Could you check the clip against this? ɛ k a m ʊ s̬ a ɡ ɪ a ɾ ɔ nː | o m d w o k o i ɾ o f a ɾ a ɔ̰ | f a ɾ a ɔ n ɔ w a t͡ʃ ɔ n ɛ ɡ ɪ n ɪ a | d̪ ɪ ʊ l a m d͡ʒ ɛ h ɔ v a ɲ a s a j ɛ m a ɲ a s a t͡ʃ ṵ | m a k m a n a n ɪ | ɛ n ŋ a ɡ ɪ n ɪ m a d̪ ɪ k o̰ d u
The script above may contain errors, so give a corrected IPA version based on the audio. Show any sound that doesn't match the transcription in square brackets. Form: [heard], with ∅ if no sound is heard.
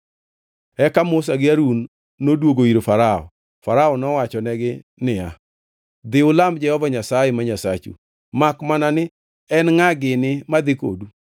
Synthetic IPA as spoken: ɛ k a m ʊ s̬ a ɡ ɪ a ɾ [u] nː | o [∅] d w o [ɡ] o i ɾ o f a ɾ a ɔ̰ | f a ɾ a ɔ n ɔ w a t͡ʃ ɔ n ɛ ɡ ɪ n ɪ a | d̪ ɪ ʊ l a m d͡ʒ ɛ h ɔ v a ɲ a s a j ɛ m a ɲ a s a t͡ʃ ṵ | m a k m a n a n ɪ | ɛ n ŋ a ɡ ɪ n ɪ m a d̪ ɪ k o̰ d u